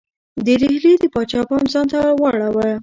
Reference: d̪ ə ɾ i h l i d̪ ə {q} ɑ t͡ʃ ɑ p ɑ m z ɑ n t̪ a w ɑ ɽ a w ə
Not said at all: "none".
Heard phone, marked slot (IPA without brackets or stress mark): p